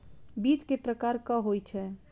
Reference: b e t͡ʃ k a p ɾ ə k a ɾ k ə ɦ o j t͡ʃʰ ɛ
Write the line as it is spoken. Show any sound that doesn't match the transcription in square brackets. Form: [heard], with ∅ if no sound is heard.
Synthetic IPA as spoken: b [i] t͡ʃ k [e] p ɾ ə k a ɾ k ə ɦ o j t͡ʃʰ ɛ